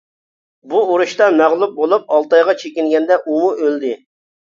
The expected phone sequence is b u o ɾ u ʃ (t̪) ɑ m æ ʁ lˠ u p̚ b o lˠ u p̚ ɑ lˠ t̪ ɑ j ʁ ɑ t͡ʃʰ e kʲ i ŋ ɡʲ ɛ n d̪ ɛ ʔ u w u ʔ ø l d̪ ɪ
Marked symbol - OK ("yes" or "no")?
yes